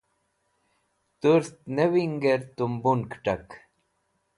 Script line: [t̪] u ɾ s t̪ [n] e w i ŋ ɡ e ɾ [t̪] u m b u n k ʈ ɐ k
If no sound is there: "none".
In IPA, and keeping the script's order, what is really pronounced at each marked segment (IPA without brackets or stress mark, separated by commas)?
t̪, n, t̪